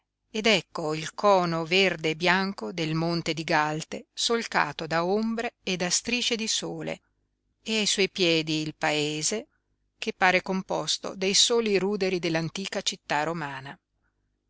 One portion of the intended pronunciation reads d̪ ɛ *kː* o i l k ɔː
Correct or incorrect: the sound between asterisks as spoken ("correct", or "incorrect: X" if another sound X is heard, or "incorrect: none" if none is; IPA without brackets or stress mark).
correct